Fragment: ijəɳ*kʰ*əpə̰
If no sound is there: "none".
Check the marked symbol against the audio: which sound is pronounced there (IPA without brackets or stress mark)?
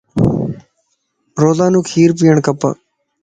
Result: k